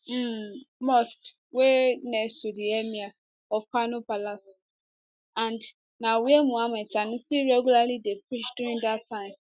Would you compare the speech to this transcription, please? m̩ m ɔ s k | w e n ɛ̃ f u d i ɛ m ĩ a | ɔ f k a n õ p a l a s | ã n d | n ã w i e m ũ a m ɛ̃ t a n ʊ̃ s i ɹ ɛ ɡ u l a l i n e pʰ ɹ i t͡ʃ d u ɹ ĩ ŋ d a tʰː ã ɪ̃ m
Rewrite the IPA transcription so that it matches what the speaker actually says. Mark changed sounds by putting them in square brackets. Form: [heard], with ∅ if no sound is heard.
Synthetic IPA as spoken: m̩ m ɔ s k | w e n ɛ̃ [s] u d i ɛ m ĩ a | ɔ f k a n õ p a l a s | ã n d | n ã w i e m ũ a m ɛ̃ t a n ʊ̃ s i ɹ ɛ ɡ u l a l i [d] e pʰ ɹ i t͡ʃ d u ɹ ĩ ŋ d a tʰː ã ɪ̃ m